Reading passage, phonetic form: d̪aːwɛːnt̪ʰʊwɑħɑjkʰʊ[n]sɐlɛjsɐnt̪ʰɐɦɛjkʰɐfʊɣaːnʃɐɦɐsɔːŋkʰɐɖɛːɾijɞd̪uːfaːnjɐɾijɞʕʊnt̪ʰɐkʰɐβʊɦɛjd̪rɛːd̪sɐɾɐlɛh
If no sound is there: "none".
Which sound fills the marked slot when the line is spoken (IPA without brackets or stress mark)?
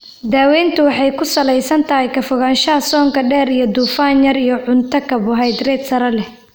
none